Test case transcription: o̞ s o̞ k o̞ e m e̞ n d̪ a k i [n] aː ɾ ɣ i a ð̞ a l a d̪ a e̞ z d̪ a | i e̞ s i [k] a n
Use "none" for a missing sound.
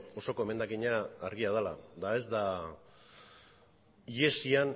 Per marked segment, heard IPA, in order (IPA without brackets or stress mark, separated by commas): ɲ, none